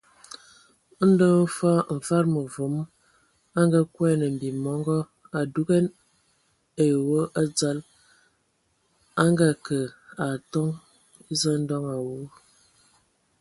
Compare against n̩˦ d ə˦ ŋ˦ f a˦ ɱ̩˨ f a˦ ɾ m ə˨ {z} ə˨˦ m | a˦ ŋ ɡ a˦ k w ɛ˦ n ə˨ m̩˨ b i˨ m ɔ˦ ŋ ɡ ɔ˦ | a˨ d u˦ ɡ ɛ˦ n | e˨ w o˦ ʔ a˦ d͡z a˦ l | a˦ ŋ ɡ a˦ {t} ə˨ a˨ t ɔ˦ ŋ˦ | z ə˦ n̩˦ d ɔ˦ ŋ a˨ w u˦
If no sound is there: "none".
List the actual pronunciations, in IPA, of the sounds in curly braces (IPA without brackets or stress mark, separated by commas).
v, k